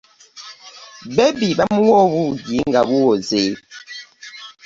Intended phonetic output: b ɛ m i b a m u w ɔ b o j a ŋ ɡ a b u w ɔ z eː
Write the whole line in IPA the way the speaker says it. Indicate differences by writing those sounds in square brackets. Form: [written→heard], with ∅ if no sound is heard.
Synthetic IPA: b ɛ [m→b] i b a m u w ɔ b [o→u] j [a→i] ŋ ɡ a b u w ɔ z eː